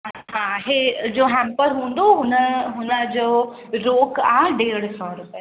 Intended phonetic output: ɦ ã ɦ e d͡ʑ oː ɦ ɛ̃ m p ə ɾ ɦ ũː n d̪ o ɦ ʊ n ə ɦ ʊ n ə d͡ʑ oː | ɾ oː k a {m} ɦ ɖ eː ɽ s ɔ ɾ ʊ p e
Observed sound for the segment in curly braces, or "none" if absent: none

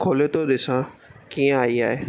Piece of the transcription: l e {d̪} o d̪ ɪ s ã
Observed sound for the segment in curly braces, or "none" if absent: t̪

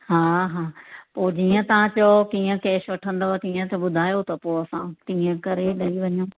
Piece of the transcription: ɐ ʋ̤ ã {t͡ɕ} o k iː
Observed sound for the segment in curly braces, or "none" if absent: t͡ɕ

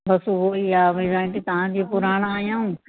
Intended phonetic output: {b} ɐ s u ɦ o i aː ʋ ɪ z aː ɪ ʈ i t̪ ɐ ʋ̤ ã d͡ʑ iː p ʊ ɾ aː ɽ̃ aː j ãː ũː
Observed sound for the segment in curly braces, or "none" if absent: b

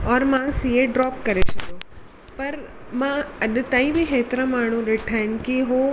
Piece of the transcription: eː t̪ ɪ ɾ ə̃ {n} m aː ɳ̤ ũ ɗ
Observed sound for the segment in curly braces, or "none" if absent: none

